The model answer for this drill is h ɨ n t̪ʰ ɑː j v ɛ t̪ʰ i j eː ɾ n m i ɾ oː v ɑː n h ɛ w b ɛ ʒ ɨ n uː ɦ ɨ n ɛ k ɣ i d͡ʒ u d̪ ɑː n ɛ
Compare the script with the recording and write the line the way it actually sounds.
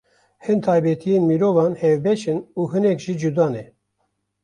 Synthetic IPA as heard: h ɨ n t̪ʰ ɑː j b ɛ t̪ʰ i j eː n m i ɾ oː v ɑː n h ɛ v b ɛ ʃ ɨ n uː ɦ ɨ n ɛ k ʒ i d͡ʒ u d̪ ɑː n ɛ